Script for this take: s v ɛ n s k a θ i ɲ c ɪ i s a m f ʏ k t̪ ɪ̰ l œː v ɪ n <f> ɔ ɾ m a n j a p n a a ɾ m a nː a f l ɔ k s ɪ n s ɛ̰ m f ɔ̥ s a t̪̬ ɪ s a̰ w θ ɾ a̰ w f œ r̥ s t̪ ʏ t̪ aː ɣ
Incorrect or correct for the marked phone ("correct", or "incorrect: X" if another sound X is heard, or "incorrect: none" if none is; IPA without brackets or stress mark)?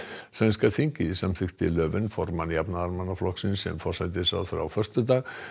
correct